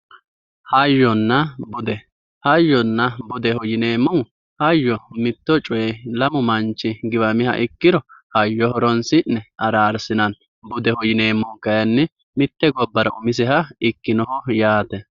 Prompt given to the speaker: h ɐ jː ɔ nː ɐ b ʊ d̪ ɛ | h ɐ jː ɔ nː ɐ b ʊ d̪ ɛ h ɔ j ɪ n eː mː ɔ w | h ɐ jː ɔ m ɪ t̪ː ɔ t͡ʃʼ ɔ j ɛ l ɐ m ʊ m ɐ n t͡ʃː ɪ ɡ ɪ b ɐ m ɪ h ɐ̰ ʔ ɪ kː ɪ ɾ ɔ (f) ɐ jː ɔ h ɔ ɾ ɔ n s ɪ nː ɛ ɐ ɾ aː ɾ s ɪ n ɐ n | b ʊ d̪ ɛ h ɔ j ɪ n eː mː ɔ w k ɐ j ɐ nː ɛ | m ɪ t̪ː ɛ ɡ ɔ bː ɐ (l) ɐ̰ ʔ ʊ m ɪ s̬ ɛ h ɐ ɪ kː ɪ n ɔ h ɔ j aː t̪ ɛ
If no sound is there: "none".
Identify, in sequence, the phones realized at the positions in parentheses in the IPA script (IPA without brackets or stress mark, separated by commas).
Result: h, ɾ